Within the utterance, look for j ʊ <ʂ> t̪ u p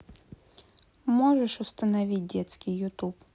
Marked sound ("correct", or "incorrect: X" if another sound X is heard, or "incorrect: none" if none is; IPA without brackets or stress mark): incorrect: none